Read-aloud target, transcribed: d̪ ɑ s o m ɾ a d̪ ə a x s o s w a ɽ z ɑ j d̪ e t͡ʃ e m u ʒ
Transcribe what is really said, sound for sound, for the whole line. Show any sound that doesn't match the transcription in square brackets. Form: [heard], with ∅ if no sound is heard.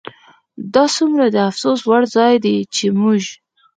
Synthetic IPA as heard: d̪ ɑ s [u] m ɾ a d̪ ə a [f] s o s w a ɽ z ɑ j d̪ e t͡ʃ e m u ʒ